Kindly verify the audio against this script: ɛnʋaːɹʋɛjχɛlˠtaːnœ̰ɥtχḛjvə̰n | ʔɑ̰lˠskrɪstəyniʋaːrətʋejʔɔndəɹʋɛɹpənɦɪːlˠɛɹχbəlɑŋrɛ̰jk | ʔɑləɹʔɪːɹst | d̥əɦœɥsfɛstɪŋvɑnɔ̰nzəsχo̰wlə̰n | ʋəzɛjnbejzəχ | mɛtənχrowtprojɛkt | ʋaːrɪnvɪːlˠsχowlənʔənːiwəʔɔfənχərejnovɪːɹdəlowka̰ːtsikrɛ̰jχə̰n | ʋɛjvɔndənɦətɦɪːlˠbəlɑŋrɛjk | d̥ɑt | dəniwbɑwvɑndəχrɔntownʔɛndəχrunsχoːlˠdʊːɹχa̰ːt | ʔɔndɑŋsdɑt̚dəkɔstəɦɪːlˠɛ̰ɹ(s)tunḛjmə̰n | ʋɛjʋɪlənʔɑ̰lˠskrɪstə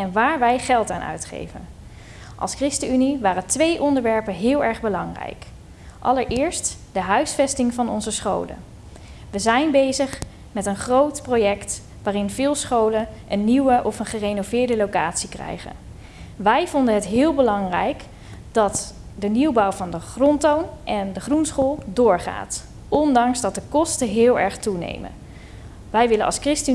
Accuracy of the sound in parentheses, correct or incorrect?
incorrect